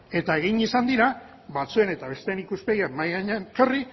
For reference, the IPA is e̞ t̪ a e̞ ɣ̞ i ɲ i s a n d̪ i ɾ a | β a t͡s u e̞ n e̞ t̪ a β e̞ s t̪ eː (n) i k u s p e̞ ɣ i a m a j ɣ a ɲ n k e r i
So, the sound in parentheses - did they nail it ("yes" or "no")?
yes